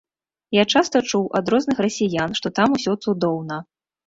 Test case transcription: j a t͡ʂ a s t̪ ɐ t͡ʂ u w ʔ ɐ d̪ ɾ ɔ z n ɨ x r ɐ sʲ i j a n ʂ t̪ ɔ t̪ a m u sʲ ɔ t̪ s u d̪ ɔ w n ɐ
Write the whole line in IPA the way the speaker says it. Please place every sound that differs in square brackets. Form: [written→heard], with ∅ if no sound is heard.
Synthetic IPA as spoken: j a t͡ʂ a s t̪ ɐ t͡ʂ u w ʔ ɐ d̪ ɾ ɔ z n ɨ x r ɐ sʲ i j a n ʂ t̪ ɔ t̪ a m u sʲ ɔ t̪ s u d̪ ɔ w n ɐ